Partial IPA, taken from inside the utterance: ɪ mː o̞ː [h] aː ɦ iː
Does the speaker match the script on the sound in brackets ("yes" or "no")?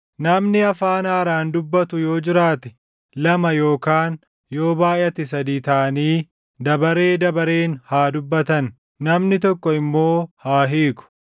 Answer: yes